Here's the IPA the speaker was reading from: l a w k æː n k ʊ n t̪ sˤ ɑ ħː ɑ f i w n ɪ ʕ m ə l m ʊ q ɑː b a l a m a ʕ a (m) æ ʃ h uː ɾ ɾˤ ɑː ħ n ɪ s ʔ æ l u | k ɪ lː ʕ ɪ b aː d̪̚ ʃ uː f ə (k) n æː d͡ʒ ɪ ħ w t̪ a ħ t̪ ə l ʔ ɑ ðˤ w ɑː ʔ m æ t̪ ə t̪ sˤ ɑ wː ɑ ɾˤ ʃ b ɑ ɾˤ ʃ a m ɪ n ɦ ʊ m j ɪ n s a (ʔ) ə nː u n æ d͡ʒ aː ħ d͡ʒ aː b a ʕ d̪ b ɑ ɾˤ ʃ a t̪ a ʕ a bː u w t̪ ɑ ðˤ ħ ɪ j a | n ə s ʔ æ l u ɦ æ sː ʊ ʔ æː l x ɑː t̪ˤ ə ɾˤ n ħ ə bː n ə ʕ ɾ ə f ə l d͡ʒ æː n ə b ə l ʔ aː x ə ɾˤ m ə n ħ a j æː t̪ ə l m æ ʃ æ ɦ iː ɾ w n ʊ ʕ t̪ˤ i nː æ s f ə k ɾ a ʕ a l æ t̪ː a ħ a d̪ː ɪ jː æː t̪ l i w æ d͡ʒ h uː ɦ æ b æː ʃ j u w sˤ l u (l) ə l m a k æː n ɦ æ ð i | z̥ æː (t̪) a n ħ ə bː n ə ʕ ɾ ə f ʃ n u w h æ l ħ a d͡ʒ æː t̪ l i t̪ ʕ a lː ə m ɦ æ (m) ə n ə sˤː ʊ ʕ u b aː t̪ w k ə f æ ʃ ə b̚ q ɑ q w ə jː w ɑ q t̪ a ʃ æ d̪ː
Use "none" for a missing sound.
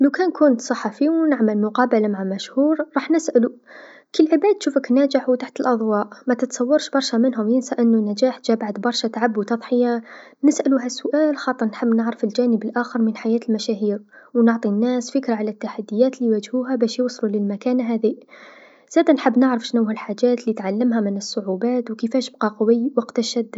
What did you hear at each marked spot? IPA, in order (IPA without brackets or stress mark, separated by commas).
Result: m, k, ʔ, l, d̪, m